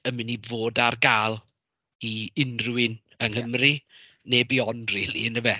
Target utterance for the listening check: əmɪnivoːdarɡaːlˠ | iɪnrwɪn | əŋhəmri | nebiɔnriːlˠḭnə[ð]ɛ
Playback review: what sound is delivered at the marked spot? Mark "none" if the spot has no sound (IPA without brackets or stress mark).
v